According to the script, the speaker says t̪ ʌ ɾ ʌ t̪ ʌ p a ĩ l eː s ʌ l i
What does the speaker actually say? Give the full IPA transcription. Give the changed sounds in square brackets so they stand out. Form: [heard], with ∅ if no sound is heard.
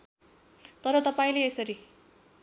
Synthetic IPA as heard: t̪ ʌ ɾ ʌ t̪ ʌ p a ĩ l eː s ʌ [ɾ] i